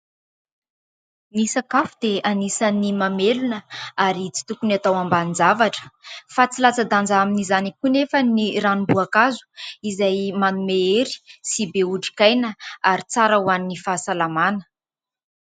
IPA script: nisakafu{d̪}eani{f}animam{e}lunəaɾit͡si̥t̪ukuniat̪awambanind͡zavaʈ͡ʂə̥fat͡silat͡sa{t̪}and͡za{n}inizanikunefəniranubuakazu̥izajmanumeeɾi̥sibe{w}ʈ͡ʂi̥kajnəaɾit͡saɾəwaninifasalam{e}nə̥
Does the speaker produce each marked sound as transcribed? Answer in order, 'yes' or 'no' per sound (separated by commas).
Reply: yes, no, yes, no, no, no, no